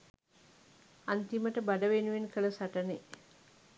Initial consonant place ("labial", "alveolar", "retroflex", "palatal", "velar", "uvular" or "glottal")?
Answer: alveolar